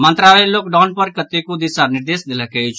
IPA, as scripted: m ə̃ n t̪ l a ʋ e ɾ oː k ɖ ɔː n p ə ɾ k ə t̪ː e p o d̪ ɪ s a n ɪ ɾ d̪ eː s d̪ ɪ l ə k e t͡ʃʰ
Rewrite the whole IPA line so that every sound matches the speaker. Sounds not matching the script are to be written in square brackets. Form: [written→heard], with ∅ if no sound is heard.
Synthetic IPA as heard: m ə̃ n t̪ [l→ɾ] a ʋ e [ɾ→l] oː k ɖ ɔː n p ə ɾ k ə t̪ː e [p→k] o d̪ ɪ s a n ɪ ɾ d̪ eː s d̪ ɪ l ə k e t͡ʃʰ